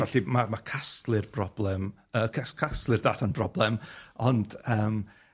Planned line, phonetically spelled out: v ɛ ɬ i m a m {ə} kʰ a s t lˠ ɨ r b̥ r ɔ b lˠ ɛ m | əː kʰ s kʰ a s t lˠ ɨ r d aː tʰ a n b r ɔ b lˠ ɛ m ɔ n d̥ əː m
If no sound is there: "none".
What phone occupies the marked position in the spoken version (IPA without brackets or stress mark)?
a